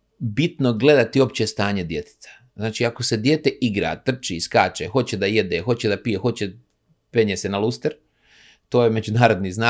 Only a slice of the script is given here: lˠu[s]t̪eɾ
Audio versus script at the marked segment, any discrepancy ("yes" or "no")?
no